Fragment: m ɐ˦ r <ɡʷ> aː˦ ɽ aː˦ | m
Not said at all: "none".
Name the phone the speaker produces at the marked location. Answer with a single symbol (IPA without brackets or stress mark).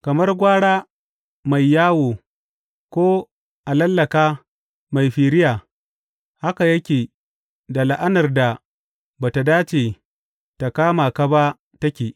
ɡʷ